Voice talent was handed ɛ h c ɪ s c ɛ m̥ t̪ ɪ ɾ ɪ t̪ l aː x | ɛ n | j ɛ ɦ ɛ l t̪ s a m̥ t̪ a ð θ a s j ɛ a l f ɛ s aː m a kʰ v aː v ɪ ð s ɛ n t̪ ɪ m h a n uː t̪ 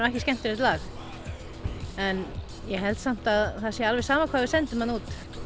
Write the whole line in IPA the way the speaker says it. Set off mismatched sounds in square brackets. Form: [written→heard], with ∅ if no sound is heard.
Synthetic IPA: ɛ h c ɪ s c ɛ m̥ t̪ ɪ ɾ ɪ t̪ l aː x | ɛ n | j ɛ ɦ ɛ l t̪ s a m̥ t̪ a ð θ a s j ɛ a l [f→v] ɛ s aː m a kʰ v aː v ɪ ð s ɛ n t̪ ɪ m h a n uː t̪